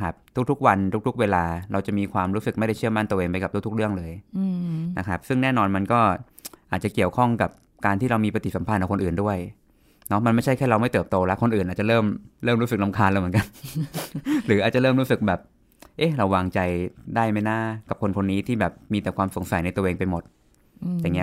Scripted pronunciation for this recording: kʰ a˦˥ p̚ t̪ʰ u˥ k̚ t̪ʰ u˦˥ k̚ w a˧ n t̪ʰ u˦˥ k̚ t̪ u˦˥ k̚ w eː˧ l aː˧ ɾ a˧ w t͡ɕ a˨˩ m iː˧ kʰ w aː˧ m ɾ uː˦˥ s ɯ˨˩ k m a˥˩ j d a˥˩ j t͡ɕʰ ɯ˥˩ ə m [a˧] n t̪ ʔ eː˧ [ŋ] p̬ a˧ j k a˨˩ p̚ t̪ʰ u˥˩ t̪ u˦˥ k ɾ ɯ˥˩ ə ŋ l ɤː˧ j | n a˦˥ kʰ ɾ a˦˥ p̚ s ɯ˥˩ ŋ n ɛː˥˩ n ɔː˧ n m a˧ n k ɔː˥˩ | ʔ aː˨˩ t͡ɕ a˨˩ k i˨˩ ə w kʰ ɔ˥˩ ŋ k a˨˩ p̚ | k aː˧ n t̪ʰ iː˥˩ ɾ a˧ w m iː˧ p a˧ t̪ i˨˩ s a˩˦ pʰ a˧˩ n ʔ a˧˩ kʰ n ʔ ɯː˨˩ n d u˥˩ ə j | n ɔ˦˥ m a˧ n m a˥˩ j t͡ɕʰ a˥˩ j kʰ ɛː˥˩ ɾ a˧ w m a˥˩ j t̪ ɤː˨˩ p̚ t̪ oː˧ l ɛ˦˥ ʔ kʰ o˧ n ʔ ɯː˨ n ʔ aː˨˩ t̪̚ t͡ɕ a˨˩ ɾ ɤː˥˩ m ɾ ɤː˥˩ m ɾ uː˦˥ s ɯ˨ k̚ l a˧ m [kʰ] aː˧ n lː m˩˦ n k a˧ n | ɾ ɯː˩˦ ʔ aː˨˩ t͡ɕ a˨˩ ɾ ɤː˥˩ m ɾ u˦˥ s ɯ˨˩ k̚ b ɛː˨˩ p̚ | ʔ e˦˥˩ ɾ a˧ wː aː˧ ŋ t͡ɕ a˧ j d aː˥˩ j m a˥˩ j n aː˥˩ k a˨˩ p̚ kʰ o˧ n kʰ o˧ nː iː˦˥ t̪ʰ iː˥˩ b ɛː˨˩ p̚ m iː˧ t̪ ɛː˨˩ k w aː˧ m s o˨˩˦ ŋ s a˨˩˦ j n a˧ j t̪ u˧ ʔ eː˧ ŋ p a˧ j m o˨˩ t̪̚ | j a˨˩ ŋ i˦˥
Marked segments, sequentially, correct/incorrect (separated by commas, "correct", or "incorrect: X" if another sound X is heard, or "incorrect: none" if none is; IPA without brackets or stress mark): incorrect: a˥˩, correct, correct